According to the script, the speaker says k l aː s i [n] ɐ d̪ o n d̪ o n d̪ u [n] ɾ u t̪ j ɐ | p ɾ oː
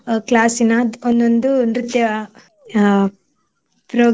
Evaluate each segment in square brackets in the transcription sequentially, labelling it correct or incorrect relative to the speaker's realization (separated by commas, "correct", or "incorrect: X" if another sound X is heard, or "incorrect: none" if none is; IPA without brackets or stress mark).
correct, correct